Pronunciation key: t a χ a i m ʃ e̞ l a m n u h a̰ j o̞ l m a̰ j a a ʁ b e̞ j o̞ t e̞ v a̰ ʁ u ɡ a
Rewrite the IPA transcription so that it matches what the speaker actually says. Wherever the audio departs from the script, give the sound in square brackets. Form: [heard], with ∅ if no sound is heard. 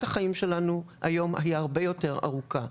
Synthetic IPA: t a χ a i m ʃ e̞ l a [∅] n u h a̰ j o̞ [∅] m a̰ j a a ʁ b e̞ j o̞ t e̞ [ʁ] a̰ ʁ u [k] a